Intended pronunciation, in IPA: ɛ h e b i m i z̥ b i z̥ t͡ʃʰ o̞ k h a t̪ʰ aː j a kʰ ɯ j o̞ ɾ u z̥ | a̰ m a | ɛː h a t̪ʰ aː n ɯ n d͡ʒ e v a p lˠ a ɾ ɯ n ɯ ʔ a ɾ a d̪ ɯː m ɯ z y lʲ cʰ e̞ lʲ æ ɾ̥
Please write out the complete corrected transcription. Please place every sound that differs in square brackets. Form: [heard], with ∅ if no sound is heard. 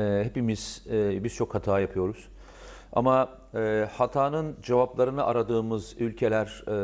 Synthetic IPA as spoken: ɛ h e [p] i m i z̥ b i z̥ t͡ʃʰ o̞ k h a t̪ʰ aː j a [pʰ] ɯ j o̞ ɾ u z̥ | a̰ m a | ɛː h a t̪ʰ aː n ɯ n d͡ʒ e v a p lˠ a ɾ ɯ n ɯ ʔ a ɾ a d̪ ɯː m ɯ z y lʲ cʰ e̞ lʲ æ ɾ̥